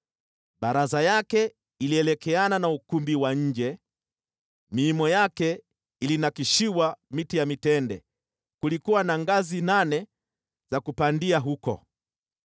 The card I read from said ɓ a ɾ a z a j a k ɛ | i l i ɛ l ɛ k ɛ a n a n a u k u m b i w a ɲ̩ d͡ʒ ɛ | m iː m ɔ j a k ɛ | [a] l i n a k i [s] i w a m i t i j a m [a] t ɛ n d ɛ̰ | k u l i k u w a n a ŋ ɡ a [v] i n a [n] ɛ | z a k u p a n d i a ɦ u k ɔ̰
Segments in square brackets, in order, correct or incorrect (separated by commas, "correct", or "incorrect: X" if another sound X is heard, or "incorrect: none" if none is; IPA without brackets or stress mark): incorrect: i, incorrect: ʃ, incorrect: i, incorrect: z, correct